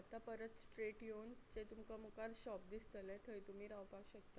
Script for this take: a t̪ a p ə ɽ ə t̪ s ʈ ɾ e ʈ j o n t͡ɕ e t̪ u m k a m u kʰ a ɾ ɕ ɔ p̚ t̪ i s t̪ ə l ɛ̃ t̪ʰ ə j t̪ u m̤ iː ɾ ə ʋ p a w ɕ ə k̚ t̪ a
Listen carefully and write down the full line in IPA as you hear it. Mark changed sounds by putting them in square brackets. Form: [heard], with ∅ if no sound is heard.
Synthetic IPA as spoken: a t̪ a p ə [ɾ] ə t̪ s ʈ ɾ e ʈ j o n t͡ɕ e t̪ u m k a m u [k] a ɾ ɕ ɔ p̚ [d̪] i s t̪ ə l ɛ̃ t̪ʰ ə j t̪ u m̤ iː ɾ [a] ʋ p a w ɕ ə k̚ t̪ a